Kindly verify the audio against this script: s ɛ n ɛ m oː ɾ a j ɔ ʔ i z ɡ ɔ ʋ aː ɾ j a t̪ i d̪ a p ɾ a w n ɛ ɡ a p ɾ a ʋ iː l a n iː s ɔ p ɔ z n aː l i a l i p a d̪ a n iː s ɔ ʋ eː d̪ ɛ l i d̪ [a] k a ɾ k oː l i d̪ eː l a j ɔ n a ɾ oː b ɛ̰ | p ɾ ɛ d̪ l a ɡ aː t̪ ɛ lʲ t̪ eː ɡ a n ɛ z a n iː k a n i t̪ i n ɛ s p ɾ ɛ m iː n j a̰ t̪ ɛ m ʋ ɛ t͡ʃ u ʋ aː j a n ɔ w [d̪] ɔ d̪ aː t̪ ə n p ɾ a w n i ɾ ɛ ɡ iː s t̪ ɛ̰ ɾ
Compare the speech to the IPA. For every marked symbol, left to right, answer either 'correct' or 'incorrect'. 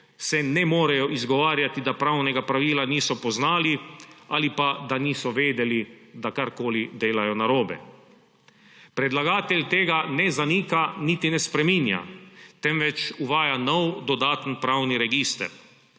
correct, correct

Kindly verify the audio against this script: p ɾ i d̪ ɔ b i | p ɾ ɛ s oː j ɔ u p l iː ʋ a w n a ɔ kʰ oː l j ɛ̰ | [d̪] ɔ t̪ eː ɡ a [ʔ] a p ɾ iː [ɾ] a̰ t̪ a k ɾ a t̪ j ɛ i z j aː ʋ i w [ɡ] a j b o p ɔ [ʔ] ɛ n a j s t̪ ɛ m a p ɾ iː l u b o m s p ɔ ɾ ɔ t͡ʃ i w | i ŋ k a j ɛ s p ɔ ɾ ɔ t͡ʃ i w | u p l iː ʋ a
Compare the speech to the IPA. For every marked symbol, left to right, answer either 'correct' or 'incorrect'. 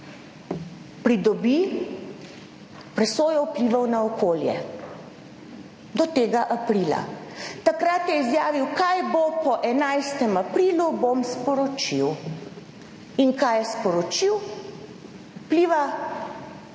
correct, correct, incorrect, incorrect, correct

